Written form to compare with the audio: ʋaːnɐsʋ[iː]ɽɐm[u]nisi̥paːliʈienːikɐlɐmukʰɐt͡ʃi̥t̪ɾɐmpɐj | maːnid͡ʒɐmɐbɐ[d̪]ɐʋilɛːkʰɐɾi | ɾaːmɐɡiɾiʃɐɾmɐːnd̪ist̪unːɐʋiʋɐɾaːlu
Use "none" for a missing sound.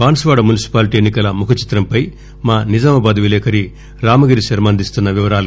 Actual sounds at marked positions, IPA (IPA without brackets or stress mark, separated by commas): aː, u, d̪